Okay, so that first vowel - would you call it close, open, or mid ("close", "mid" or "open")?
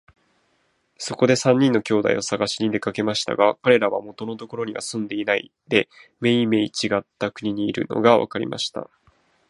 mid